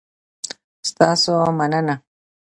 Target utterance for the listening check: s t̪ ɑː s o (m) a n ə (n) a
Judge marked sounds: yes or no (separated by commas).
yes, yes